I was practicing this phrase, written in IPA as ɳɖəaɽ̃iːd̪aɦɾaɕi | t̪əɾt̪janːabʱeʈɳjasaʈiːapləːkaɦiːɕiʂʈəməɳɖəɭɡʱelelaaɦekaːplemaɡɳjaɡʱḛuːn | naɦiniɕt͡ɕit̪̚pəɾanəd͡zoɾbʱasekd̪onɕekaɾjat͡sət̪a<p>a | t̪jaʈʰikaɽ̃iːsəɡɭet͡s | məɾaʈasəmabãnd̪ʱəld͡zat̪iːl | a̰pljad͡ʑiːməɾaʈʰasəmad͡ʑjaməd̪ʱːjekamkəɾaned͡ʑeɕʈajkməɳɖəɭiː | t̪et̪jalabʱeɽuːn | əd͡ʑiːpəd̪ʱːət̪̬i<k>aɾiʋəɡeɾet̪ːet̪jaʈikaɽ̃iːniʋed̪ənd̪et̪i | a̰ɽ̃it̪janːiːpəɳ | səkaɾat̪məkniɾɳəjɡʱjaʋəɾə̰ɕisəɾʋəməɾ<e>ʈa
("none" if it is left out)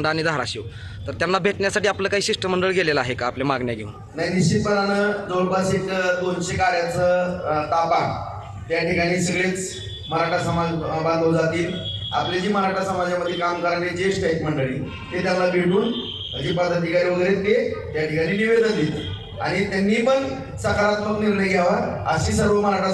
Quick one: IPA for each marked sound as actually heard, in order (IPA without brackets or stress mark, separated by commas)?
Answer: p, k, a